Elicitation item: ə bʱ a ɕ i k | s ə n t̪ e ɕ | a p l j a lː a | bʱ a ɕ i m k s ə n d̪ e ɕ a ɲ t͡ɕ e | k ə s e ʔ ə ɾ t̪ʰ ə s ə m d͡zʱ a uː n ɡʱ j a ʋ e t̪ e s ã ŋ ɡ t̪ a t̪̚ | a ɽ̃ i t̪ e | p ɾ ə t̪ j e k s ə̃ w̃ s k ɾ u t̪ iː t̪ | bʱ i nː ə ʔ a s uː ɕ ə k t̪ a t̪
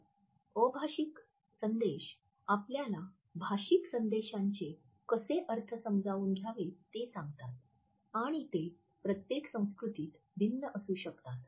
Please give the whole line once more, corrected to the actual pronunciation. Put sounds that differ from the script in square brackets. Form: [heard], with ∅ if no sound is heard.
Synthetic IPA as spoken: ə bʱ a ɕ i k | s ə n [d̪] e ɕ | a p l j a [l] a | bʱ a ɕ i [∅] k s ə n d̪ e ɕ a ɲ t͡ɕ e | k ə s e ʔ ə ɾ t̪ʰ ə s ə m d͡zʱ a uː n ɡʱ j a ʋ e t̪ e s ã ŋ ɡ t̪ a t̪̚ | a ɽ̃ i t̪ e | p ɾ ə t̪ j e k s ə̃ w̃ s k ɾ u t̪ iː t̪ | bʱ i nː ə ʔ [ə] s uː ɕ ə k t̪ a t̪